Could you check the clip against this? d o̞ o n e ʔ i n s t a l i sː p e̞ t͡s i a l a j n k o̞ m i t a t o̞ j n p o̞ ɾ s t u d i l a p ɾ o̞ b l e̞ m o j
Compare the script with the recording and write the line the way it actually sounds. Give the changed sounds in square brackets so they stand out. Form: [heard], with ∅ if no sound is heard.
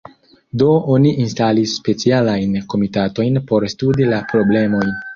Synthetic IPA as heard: d o̞ o n [i] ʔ i n s t a l i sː p e̞ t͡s i a l a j n k o̞ m i t a t o̞ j n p o̞ ɾ s t u d i l a p ɾ o̞ b l e̞ m o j

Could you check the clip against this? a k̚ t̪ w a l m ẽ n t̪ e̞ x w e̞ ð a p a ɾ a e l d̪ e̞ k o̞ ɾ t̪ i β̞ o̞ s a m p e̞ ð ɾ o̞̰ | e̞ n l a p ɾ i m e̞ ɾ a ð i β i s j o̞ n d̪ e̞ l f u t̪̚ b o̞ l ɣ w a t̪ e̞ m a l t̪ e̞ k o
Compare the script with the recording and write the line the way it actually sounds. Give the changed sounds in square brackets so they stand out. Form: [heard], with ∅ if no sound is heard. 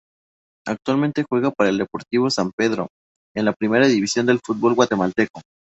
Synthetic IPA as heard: a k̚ t̪ w a l m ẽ n t̪ e̞ x w e̞ [ɣ] a p a ɾ a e l d̪ e̞ [p] o̞ ɾ t̪ i β̞ o̞ s a m p e̞ ð ɾ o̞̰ | e̞ n l a p ɾ i m e̞ ɾ a ð i β i s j o̞ n d̪ e̞ l f u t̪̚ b o̞ l ɣ w a t̪ e̞ m a l t̪ e̞ k o

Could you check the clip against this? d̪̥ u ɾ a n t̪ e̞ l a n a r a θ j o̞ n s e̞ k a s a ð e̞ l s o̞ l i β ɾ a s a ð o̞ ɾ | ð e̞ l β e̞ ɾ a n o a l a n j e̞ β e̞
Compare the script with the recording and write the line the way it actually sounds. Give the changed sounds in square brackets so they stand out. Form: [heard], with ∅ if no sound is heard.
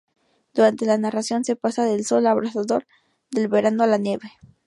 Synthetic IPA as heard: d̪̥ u ɾ a n t̪ e̞ l a n a r a [s] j o̞ n s e̞ [p] a s a ð e̞ l s o̞ l [a] β ɾ a s a ð o̞ ɾ | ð e̞ l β e̞ ɾ a n o a l a n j e̞ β e̞

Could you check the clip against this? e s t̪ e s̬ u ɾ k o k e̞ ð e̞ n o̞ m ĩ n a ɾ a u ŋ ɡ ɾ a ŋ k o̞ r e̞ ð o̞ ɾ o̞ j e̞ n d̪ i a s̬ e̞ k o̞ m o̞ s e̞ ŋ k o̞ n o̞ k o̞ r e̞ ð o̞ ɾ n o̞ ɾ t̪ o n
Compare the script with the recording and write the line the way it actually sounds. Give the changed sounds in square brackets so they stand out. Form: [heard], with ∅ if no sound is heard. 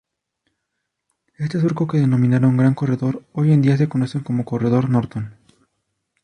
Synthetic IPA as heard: e s t̪ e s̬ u ɾ k o k e̞ ð e̞ n o̞ m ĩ n a ɾ a u ŋ ɡ ɾ a ŋ k o̞ r e̞ ð o̞ ɾ o̞ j e̞ n d̪ i a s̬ e̞ k o̞ [n] o̞ s e̞ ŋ k o̞ [m] o̞ k o̞ r e̞ ð o̞ ɾ n o̞ ɾ t̪ o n

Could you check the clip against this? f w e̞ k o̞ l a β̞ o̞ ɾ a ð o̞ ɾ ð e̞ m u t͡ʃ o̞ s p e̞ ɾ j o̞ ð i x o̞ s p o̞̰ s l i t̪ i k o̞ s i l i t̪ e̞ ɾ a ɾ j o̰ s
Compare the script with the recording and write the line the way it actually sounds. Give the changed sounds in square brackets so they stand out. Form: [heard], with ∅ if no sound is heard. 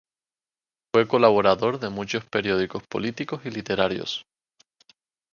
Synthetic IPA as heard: f w e̞ k o̞ l a β̞ o̞ ɾ a ð o̞ ɾ ð e̞ m u t͡ʃ o̞ s p e̞ ɾ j o̞ ð i [k] o̞ s p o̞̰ [∅] l i t̪ i k o̞ s i l i t̪ e̞ ɾ a ɾ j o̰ s

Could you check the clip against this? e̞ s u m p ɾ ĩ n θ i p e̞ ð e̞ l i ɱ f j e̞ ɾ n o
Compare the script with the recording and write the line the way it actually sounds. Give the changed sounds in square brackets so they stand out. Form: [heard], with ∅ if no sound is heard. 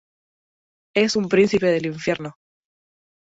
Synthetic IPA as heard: e̞ s u m p ɾ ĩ n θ i p e̞ ð e̞ l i ɱ f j e̞ ɾ n o

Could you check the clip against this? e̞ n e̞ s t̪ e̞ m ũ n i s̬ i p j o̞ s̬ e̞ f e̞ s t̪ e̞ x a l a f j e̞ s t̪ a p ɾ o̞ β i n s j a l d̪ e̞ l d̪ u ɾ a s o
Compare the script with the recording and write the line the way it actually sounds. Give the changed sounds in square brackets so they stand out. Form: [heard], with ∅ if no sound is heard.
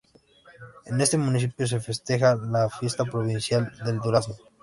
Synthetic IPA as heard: e̞ n e̞ s t̪ e̞ m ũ n i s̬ i p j o̞ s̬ e̞ f e̞ s t̪ e̞ x a l a f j e̞ s t̪ a p ɾ o̞ β i n s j a l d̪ e̞ l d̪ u ɾ a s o

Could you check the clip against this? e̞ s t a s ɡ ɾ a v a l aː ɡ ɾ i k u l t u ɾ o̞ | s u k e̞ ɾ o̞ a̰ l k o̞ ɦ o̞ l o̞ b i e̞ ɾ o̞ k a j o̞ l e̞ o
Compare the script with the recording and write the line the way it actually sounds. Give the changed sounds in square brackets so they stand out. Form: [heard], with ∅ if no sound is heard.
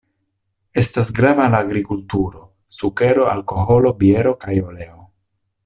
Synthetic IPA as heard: e̞ s t a s ɡ ɾ a v a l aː ɡ ɾ i k u l t u ɾ o̞ | s u k e̞ ɾ o̞ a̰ l k o̞ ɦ o̞ l o̞ b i e̞ ɾ o̞ k a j o̞ l e̞ o

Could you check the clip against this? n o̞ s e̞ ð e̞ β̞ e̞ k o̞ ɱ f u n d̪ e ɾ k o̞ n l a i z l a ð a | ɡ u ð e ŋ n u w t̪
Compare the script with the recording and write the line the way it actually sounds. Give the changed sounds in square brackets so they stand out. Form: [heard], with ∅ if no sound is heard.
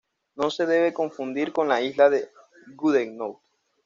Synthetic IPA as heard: n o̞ s e̞ ð e̞ β̞ e̞ k o̞ ɱ f u n d̪ [i] ɾ k o̞ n l a i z l a ð [e] | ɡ u ð e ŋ n [o] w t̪

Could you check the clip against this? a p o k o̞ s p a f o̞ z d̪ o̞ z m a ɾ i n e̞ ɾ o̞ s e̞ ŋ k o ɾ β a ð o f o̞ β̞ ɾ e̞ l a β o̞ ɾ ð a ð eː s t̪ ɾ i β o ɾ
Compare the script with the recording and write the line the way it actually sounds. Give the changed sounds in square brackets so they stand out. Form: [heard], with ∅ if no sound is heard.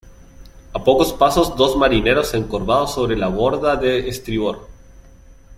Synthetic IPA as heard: a p o k o̞ s p a [s] o̞ z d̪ o̞ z m a ɾ i n e̞ ɾ o̞ s e̞ ŋ k o ɾ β a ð o [s] o̞ β̞ ɾ e̞ l a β o̞ ɾ ð a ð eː s t̪ ɾ i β o ɾ

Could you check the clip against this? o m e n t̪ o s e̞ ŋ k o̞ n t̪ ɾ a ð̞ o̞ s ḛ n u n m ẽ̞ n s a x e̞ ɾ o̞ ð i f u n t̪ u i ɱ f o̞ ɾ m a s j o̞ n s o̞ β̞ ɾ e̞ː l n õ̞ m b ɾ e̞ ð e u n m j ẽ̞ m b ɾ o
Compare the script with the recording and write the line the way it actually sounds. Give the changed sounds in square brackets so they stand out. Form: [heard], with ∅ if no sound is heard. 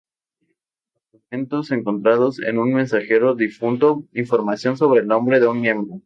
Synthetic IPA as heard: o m e n t̪ o s e̞ ŋ k o̞ n t̪ ɾ a ð̞ o̞ s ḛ n u n m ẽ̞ n s a x e̞ ɾ o̞ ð i f u n t̪ [o] i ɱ f o̞ ɾ m a s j o̞ n s o̞ β̞ ɾ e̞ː l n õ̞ m b ɾ e̞ ð e u n m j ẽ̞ m b ɾ o

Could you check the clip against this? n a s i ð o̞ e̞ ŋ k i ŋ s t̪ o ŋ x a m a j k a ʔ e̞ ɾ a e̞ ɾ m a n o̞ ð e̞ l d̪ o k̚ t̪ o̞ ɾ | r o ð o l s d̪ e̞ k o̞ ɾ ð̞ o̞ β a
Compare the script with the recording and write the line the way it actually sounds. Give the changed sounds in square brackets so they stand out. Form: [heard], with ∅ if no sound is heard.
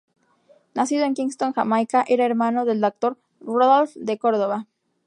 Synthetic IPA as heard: n a s i ð o̞ e̞ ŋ k i ŋ s t̪ o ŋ x a m a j k a ʔ e̞ ɾ a e̞ ɾ m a n o̞ ð e̞ l d̪ o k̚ t̪ o̞ ɾ | r o ð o l [f] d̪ e̞ k o̞ ɾ ð̞ o̞ β a

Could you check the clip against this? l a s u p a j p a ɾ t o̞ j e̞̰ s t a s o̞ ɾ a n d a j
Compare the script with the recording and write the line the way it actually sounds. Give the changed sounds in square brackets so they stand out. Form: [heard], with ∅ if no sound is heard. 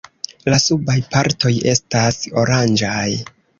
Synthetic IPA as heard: l a s u [b] a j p a ɾ t o̞ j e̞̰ s t a s o̞ ɾ a n [d͡ʒ] a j

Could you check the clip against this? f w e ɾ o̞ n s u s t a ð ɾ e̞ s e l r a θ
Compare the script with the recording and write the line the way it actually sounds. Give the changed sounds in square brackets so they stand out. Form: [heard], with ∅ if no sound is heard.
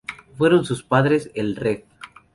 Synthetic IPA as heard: f w e ɾ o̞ n s u s [p] a ð ɾ e̞ s e l r [e] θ

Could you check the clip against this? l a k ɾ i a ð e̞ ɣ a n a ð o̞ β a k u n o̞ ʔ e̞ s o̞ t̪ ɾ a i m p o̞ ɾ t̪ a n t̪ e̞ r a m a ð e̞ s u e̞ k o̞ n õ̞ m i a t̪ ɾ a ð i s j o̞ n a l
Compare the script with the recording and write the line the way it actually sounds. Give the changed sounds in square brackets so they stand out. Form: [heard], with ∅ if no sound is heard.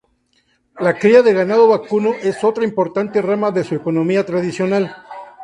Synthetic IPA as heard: l a k ɾ i a ð e̞ ɣ a n a ð o̞ β a k u n o̞ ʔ e̞ s o̞ t̪ ɾ a i m p o̞ ɾ t̪ a n t̪ e̞ r a m a ð e̞ s u e̞ k o̞ n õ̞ m i a t̪ ɾ a ð i s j o̞ n a l

